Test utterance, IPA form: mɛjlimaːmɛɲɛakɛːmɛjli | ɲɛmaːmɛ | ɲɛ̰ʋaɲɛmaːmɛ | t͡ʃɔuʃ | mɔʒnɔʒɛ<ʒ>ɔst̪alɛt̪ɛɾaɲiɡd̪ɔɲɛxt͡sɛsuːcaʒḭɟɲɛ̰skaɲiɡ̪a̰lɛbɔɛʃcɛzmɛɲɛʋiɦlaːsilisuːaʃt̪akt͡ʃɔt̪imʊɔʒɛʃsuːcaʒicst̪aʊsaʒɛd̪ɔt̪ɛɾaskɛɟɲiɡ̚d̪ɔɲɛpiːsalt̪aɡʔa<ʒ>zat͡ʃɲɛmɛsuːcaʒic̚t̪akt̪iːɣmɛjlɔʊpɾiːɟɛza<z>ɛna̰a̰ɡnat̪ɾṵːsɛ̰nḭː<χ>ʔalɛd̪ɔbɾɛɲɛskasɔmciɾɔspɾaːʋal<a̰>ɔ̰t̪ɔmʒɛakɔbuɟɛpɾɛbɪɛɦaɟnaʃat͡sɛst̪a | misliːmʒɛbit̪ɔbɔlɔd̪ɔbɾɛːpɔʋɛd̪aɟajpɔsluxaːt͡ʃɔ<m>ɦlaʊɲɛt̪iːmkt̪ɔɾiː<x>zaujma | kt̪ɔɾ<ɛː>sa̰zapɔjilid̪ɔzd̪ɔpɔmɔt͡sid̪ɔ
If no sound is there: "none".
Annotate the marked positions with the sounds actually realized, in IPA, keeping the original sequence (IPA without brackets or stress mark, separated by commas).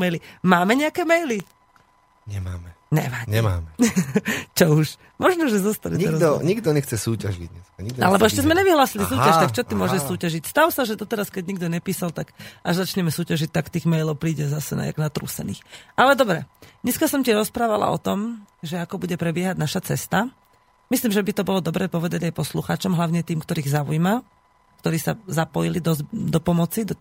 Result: z, ʒ, s, x, a̰, m, ɣ, iː